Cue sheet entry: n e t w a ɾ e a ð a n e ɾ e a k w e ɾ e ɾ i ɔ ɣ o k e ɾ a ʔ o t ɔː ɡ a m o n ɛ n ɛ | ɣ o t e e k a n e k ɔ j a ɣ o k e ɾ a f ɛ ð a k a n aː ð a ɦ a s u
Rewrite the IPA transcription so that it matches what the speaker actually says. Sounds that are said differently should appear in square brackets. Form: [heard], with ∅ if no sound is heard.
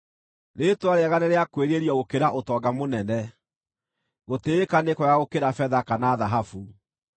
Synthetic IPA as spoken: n e t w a ɾ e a [ɣ] a n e ɾ e a k w e ɾ e ɾ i ɔ ɣ o k e ɾ a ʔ o t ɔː ɡ a m o n ɛ n ɛ | ɣ o t e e k a n e k ɔ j a ɣ o k e ɾ a f ɛ ð a k a n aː ð a ɦ a [f] u